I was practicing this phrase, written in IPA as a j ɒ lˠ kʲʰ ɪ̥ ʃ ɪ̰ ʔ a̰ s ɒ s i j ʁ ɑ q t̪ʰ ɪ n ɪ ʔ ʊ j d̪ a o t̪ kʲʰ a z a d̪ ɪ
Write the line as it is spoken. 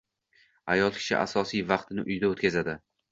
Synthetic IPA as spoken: a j ɒ lˠ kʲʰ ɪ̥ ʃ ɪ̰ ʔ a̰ s ɒ s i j v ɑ q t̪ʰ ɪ n ɪ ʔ ʊ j d̪ a o t̪ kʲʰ a z a d̪ ɪ